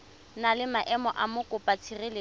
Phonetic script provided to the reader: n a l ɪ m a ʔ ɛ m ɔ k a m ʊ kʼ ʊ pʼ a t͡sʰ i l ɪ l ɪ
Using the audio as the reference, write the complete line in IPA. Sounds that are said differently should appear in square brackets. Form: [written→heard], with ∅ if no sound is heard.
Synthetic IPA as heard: n a l ɪ m a ʔ ɛ m ɔ [k→ʔ] a m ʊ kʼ ʊ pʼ a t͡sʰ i [l→r] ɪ l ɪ